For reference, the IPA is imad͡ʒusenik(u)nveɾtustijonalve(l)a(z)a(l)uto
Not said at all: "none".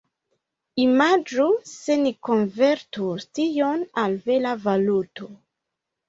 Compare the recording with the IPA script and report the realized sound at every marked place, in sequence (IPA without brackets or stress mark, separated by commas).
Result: o, l, v, l